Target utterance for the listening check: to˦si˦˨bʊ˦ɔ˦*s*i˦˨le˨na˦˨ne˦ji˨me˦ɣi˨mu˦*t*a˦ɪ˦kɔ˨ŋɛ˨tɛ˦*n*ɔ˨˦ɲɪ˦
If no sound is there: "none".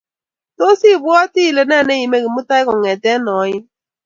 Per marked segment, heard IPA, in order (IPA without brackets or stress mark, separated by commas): t, t, n